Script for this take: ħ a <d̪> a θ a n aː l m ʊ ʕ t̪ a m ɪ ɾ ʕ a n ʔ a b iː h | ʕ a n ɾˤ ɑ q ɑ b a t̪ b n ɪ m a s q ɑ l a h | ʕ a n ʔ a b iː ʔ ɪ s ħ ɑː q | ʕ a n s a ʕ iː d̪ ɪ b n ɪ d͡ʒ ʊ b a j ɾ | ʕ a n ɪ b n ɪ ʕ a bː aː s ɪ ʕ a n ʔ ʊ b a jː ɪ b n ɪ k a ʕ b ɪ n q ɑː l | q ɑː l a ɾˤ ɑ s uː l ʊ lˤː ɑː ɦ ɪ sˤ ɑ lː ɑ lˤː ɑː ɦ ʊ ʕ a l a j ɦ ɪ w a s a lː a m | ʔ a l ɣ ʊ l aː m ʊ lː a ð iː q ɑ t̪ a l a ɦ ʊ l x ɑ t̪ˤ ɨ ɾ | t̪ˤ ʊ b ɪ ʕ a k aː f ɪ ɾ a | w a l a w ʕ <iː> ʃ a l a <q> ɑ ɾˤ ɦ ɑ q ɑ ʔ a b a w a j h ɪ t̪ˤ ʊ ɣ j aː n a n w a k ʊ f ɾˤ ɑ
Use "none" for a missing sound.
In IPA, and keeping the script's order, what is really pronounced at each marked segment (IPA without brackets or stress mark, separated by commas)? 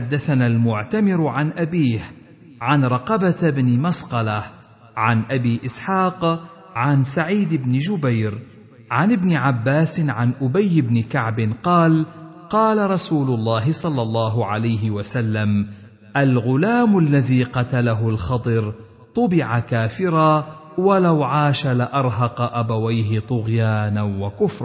d̪ː, aː, ʔ